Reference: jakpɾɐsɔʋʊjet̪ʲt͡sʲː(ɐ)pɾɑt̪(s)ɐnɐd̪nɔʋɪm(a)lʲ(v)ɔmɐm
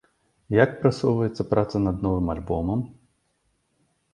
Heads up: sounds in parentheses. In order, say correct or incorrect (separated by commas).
correct, correct, incorrect, incorrect